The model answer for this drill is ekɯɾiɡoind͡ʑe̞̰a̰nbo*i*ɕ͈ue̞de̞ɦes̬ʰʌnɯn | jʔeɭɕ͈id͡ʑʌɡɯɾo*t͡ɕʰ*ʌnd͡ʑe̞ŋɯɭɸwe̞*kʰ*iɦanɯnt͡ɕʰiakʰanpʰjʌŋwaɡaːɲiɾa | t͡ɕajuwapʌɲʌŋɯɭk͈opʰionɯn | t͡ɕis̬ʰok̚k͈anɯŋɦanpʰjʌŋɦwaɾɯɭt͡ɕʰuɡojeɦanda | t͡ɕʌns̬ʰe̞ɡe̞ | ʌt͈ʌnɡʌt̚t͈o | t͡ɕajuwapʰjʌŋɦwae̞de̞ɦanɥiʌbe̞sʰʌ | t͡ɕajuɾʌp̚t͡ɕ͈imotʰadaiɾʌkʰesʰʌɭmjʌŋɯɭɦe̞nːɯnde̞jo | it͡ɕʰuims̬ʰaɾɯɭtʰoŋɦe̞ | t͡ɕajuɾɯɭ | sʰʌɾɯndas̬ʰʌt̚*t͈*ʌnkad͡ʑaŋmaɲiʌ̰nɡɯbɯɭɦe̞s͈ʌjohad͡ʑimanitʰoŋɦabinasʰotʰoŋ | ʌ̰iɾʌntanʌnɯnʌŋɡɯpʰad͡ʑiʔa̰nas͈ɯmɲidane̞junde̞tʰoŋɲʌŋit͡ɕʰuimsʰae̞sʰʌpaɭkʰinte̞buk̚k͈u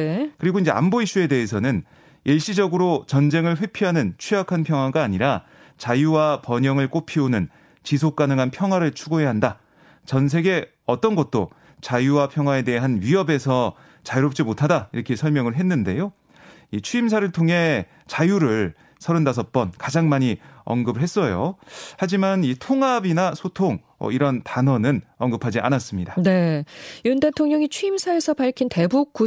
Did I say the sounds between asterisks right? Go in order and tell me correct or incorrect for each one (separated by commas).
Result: correct, incorrect, incorrect, incorrect